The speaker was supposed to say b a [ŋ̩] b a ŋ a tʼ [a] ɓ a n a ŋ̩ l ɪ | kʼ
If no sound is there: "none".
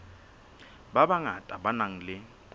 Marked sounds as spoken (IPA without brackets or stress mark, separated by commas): none, a